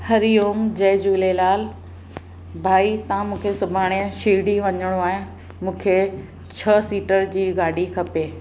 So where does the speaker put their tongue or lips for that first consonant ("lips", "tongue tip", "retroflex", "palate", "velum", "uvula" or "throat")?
throat